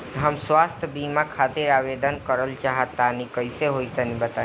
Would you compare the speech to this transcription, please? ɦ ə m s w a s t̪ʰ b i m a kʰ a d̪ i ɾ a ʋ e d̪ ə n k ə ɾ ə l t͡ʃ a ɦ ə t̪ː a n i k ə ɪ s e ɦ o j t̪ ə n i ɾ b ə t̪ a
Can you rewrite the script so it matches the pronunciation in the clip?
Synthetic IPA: ɦ ə m s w a s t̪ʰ b i m a kʰ a t̪ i ɾ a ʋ e d̪ ə n k ə ɾ ə l t͡ʃ a ɦ ə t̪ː a n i k ə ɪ s e ɦ o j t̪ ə n i b ə t̪ a